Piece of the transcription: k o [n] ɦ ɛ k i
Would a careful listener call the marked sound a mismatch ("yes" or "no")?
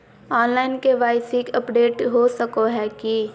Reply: yes